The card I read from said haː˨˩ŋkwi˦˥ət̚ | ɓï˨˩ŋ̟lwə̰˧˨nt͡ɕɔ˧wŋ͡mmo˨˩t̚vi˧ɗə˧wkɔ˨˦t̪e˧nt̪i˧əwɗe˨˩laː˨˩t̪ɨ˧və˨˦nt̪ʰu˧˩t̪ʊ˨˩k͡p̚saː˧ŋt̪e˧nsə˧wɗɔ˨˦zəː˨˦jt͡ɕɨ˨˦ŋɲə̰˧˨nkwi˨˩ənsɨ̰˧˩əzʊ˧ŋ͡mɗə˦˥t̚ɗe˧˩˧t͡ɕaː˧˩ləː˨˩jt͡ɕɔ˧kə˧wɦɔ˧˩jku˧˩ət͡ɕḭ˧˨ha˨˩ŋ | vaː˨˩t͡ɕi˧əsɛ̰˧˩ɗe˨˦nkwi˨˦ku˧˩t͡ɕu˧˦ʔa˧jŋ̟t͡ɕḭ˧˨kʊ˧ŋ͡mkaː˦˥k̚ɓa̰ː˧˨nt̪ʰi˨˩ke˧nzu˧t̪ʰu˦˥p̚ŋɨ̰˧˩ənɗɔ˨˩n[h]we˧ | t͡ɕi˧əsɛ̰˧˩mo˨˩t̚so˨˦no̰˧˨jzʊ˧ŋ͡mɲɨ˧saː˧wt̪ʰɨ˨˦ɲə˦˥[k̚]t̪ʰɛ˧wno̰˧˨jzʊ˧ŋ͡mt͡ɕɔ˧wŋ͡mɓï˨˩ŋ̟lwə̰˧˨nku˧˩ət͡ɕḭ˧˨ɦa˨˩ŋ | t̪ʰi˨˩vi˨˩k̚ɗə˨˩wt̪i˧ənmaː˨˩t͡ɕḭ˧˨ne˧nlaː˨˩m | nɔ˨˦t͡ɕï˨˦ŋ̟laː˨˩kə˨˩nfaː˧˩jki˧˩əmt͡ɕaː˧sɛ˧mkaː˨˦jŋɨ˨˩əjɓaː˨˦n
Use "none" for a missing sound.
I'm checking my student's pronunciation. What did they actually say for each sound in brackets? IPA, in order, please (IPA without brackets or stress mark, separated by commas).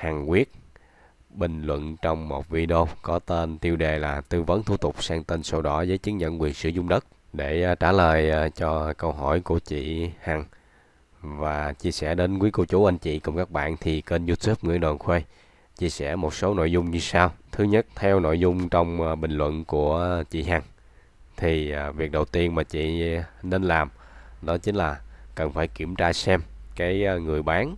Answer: x, t̚